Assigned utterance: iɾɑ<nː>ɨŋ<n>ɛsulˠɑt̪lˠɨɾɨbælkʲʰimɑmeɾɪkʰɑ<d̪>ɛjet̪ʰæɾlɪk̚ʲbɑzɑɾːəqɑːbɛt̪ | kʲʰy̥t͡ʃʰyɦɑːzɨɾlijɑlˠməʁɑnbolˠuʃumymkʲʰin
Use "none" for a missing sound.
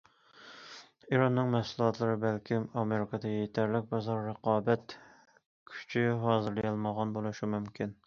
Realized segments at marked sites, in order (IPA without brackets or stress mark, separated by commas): nː, m, d̪